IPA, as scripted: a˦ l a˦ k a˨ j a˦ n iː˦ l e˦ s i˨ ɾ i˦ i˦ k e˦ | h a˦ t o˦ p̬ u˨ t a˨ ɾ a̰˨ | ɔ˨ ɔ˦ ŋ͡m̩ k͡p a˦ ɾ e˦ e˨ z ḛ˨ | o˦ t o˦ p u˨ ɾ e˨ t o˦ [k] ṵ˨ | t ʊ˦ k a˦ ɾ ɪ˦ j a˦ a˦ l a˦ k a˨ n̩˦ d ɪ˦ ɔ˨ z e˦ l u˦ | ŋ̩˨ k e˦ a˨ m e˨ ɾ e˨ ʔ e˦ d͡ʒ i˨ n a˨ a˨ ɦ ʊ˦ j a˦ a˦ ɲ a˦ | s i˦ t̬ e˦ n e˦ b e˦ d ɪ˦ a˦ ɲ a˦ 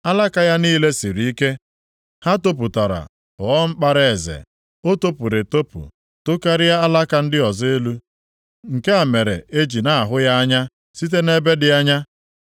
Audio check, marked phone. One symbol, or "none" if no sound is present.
p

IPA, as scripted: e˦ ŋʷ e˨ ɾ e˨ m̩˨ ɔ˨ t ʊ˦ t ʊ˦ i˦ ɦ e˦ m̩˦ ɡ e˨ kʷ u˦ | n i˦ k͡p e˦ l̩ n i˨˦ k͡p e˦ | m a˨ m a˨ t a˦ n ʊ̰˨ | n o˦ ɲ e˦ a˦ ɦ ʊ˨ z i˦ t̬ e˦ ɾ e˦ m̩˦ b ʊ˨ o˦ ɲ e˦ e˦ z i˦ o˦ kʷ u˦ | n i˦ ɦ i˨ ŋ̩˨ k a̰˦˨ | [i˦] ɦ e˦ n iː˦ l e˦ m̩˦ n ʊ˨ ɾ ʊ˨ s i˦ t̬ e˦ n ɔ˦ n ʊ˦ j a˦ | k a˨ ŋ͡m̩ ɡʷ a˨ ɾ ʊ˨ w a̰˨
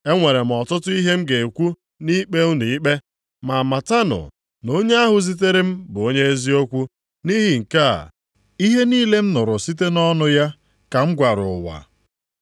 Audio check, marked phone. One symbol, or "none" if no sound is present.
i˦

